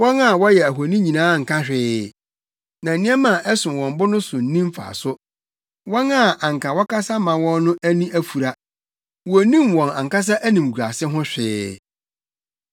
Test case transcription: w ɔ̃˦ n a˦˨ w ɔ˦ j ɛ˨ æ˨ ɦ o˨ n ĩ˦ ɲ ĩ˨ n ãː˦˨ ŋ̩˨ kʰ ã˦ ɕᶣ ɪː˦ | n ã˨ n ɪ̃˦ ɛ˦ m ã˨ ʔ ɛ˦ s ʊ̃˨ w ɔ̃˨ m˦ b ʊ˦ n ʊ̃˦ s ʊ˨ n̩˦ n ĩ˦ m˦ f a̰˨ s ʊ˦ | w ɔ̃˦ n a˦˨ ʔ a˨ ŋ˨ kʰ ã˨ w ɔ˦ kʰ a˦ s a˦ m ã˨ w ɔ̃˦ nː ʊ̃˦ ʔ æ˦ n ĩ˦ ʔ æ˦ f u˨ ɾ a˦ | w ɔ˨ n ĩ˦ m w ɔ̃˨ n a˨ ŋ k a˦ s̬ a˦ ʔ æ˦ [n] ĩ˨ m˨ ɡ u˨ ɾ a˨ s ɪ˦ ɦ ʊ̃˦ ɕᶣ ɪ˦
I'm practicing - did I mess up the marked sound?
no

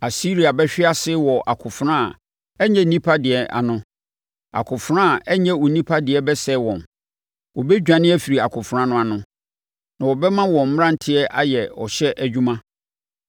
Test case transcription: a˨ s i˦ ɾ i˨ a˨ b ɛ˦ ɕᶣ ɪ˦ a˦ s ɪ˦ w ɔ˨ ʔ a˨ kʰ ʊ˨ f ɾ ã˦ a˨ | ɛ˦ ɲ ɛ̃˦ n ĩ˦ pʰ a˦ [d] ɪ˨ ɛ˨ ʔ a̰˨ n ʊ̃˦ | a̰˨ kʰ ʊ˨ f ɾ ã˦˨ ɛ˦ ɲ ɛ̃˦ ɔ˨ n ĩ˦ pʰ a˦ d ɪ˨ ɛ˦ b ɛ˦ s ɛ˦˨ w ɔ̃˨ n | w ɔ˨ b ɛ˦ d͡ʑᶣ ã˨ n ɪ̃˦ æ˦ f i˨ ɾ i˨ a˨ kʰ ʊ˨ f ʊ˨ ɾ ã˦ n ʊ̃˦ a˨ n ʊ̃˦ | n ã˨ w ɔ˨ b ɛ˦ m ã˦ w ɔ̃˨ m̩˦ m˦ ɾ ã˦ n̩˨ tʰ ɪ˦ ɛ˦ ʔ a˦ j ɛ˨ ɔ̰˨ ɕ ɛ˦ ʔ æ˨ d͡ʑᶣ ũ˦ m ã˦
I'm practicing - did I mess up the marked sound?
no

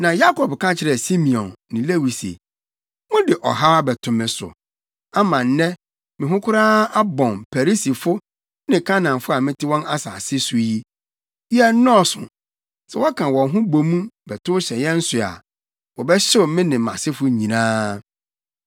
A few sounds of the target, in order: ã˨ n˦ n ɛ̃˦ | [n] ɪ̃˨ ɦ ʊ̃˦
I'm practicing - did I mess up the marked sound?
yes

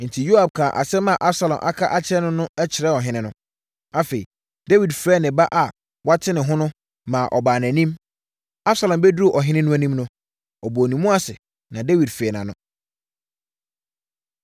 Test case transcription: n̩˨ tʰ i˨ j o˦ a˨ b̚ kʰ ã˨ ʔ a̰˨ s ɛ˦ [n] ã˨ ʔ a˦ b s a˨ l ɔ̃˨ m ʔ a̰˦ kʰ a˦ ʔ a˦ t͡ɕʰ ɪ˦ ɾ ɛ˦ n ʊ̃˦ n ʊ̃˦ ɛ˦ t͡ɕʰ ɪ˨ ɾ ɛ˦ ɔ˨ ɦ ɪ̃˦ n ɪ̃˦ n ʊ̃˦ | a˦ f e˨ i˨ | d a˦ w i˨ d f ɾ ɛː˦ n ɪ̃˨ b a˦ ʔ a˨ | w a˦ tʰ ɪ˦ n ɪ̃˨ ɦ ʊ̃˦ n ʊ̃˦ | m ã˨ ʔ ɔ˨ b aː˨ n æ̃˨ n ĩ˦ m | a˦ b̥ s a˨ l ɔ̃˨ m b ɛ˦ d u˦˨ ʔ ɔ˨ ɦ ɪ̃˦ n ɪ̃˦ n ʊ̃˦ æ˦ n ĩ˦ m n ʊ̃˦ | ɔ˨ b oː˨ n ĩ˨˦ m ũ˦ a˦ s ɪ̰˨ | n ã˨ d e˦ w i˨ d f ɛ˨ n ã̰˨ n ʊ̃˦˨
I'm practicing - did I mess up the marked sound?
yes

